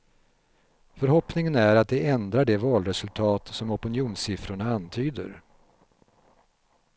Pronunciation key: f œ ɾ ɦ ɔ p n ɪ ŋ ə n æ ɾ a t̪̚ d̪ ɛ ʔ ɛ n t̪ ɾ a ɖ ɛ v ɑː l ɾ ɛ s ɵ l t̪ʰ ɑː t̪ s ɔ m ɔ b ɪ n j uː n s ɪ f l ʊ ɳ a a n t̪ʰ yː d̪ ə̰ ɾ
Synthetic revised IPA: f œ ɾ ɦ ɔ p n ɪ ŋ ə n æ ɾ a t̪̚ d̪ ɛ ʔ ɛ n d̪ ɾ a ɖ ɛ v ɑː l ɾ ɛ s ɵ l t̪ʰ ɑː t̪ s ɔ m ɔ p ɪ n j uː n s ɪ f ɾ ʊ ɳ a a n t̪ʰ yː d̪ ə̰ ɾ